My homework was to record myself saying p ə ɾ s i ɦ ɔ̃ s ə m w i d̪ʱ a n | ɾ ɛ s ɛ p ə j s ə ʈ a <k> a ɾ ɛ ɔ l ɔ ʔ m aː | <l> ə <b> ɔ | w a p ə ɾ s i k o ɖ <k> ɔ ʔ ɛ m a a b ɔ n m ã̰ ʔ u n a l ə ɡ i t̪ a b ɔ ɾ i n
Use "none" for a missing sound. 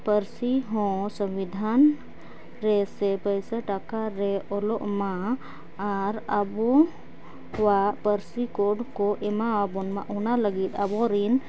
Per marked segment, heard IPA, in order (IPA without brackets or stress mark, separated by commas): k, ɾ, b, k